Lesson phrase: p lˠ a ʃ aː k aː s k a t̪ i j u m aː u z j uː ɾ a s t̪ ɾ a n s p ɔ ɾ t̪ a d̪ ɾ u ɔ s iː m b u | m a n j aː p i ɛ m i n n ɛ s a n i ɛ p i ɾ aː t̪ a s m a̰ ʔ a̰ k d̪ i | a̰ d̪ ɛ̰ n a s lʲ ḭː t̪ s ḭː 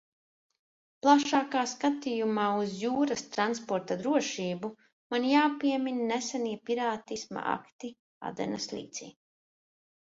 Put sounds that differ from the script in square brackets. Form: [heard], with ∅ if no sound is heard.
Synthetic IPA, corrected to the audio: p lˠ a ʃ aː k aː s k a t̪ i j u m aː u z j uː ɾ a s t̪ ɾ a n s p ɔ ɾ t̪ a d̪ ɾ u ɔ [ʃ] iː [∅] b u | m a n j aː p i ɛ m i n n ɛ s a n i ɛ p i ɾ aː t̪ [i] s m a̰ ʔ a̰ k [t̪] i | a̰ d̪ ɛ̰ n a s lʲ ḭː t̪ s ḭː